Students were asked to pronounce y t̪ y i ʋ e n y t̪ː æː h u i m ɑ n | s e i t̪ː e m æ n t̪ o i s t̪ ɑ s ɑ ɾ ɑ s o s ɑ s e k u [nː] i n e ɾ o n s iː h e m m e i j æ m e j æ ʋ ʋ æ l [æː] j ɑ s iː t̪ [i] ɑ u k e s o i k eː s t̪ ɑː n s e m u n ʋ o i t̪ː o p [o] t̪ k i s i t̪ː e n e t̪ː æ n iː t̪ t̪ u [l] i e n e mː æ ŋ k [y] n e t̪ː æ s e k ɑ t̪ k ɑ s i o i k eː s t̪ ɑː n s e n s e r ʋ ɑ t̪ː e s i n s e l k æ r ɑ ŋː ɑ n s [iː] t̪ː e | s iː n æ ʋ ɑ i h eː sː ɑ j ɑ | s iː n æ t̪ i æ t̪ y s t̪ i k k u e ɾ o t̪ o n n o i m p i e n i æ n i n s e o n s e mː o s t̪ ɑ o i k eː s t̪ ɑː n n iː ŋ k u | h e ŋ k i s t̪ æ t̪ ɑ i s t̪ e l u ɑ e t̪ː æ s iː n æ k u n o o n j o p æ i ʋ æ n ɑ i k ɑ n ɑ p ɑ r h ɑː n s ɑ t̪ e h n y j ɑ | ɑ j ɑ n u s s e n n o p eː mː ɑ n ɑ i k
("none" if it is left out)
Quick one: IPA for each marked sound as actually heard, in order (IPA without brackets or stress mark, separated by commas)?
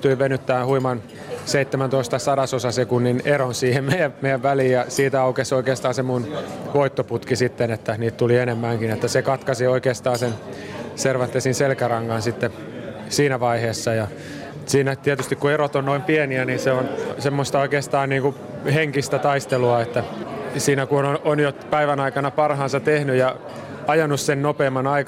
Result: nː, iː, æ, u, l, i, i